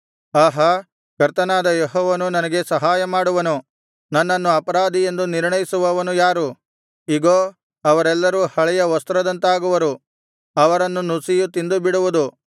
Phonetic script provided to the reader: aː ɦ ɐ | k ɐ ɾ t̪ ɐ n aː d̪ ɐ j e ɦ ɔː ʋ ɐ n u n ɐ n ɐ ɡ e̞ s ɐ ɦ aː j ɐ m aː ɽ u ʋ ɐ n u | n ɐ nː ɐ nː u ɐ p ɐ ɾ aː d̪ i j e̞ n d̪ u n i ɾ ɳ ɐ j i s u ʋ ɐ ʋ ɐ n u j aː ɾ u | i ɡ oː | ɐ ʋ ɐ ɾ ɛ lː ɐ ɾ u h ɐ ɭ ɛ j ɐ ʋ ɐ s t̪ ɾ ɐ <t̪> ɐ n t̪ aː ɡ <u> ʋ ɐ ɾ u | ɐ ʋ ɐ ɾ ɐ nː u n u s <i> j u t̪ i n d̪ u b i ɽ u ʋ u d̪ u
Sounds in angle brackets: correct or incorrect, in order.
incorrect, correct, correct

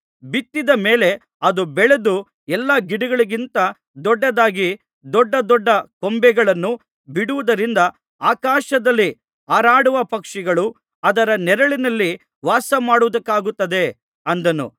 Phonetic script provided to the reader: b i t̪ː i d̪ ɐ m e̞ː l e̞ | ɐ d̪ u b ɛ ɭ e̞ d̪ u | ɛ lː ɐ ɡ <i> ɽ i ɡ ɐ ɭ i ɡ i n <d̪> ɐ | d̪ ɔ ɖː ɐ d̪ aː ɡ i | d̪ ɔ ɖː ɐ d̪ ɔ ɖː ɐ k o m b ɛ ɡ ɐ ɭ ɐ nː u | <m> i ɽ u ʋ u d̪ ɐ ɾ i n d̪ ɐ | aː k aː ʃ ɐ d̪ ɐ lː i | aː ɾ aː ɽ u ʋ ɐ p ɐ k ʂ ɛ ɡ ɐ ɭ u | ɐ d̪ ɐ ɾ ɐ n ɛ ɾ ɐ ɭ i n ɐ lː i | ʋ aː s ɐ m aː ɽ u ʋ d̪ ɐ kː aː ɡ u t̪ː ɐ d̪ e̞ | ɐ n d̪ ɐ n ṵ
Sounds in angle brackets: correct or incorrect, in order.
correct, incorrect, incorrect

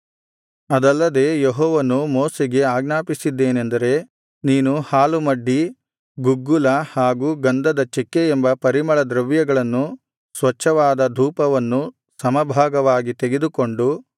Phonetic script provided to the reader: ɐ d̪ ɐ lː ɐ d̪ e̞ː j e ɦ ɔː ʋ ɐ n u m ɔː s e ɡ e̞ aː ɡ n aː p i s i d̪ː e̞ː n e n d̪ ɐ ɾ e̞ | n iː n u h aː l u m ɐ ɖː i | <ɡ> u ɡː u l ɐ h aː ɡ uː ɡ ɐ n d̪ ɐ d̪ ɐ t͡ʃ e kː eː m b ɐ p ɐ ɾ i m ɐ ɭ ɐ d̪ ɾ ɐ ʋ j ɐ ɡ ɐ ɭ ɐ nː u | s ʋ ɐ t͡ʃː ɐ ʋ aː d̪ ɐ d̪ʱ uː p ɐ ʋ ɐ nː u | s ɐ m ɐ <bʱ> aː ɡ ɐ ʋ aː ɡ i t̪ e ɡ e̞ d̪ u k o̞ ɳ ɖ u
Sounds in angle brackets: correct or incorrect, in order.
correct, correct

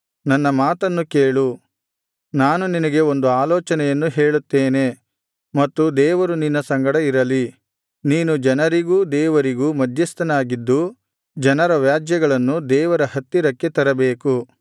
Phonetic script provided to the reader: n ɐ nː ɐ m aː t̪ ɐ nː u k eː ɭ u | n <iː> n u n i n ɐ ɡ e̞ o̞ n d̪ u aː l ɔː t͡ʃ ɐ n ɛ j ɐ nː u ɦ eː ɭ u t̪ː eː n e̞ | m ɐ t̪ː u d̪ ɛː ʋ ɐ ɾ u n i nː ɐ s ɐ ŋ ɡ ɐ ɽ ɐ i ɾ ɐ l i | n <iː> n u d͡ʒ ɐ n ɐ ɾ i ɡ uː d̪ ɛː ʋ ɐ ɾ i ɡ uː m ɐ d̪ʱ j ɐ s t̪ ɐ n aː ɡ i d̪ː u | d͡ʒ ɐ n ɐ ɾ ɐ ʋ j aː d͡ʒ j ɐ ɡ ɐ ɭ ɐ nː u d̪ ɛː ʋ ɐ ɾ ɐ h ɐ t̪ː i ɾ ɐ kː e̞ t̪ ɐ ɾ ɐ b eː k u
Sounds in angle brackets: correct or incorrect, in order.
incorrect, correct

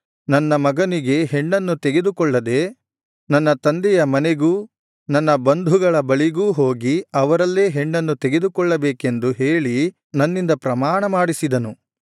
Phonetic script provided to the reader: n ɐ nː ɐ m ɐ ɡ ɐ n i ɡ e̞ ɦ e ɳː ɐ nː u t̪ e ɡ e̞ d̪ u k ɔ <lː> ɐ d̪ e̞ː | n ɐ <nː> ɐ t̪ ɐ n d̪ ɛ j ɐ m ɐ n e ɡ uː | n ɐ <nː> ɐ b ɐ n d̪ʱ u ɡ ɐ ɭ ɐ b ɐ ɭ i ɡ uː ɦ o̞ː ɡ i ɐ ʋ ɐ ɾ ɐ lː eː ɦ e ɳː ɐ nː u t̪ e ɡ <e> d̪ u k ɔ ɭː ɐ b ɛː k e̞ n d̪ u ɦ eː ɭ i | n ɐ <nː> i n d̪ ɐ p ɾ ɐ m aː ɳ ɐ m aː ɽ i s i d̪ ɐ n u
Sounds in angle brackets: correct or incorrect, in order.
incorrect, correct, correct, correct, correct

